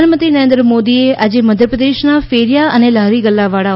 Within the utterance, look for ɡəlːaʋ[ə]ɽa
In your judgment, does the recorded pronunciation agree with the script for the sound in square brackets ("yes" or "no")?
no